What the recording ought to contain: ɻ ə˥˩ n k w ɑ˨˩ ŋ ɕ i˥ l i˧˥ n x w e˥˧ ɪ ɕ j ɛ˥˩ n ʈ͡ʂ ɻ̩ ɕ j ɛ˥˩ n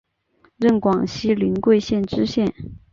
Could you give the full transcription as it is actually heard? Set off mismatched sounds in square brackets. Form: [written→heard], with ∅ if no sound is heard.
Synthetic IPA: ɻ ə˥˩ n k w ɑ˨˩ ŋ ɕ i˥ l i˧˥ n [x→k] w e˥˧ ɪ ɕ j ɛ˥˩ n ʈ͡ʂ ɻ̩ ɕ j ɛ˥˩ n